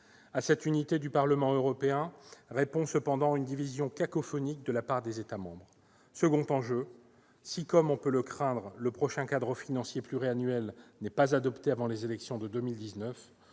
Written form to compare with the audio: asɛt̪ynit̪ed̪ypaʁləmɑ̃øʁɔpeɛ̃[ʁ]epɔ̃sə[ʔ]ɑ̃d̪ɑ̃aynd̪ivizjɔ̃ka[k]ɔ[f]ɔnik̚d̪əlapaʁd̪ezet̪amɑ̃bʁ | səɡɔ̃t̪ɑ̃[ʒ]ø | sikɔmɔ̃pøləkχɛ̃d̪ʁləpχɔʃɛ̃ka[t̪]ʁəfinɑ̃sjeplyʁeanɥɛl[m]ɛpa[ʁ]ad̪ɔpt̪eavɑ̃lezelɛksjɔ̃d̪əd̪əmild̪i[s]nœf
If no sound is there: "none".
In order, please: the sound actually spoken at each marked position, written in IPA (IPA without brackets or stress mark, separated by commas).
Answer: ʁ, p, k, f, ʒ, d̪, n, z, z